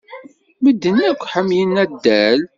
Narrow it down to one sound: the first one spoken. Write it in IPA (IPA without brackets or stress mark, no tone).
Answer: m